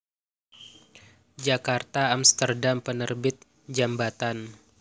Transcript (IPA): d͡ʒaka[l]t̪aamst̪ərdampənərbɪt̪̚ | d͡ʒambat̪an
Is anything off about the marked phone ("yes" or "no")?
yes